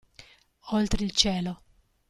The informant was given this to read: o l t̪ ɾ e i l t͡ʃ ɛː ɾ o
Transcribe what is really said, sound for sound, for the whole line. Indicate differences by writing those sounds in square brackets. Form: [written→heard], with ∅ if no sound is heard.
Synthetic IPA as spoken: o l t̪ ɾ e i l t͡ʃ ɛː [ɾ→l] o